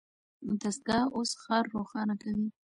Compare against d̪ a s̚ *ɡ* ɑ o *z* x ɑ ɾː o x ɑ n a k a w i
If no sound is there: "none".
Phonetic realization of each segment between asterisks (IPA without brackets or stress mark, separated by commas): ɡ, s